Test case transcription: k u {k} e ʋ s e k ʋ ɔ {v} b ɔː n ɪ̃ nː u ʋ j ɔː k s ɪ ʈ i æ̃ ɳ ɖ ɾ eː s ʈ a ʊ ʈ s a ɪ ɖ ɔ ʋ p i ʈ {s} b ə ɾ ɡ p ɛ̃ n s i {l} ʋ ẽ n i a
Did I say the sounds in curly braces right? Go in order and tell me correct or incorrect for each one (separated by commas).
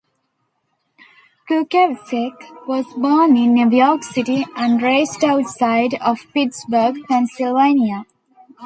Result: correct, incorrect, correct, correct